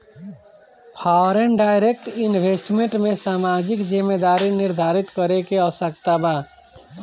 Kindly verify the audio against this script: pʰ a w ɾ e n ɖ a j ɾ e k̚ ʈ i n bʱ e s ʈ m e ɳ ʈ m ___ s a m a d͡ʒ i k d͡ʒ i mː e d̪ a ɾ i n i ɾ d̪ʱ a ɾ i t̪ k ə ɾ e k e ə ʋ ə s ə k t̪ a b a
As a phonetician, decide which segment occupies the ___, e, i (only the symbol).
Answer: e